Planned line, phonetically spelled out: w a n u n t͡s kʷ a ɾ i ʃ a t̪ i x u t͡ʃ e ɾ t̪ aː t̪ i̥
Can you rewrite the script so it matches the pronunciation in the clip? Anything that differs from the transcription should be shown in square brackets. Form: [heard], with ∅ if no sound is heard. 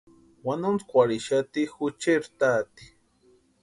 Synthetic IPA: w a n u n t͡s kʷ a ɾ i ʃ a t̪ i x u t͡ʃ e ɾ t̪ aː t̪ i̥